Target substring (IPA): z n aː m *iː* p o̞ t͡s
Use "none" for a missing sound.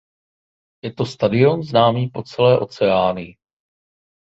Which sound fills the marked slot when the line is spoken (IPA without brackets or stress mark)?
iː